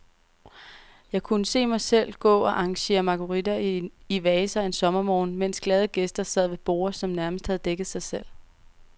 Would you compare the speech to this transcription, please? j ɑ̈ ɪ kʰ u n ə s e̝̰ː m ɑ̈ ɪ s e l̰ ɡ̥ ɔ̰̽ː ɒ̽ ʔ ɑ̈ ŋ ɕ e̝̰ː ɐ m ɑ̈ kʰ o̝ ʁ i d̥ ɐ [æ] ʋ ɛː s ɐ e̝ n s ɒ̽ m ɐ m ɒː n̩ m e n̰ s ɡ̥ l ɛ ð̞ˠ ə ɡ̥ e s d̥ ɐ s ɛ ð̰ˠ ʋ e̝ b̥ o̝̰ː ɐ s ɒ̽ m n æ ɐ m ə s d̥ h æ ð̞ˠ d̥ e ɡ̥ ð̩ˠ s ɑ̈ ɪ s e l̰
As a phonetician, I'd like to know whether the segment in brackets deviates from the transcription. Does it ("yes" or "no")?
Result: yes